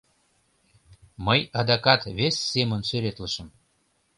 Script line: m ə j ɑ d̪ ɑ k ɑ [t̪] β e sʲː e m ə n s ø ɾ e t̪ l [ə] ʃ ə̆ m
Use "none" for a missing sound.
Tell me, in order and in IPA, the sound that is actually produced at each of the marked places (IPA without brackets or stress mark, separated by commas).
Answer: t̪, ə